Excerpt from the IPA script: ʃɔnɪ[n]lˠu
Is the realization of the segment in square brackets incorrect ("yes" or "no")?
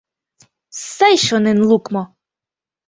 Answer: no